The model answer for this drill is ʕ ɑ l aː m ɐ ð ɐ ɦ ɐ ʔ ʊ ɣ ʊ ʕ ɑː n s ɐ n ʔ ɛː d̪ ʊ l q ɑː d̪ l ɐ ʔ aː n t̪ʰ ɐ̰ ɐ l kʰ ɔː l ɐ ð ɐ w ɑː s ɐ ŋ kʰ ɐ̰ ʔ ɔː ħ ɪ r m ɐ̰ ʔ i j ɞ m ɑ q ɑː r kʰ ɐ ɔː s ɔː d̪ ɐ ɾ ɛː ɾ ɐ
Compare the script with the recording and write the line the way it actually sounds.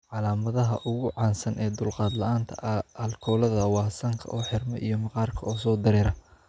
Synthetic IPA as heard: ʕ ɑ l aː m ɐ ð ɐ ɦ ɐ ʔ ʊ ɣ ʊ ʕ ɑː n s ɐ n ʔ ɛː d̪ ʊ l q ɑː d̪ l ɐ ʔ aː n t̪ʰ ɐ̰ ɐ l kʰ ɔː l ɐ ð ɐ w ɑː s ɐ ŋ kʰ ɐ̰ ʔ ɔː ħ ɪ r m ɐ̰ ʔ i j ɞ m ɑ q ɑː r kʰ ɐ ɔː s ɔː d̪ ɐ ɾ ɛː ɾ ɐ